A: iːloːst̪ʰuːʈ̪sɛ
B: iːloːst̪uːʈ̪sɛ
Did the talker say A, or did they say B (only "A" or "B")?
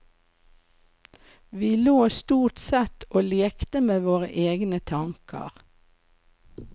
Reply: B